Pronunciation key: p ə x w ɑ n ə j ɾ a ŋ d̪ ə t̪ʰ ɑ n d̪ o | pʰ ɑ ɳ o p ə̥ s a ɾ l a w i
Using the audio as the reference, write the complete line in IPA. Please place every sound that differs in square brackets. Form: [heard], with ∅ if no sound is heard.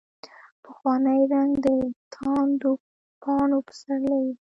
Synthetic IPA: p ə x w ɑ n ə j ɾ a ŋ d̪ ə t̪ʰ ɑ n d̪ o | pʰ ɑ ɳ o p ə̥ s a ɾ l a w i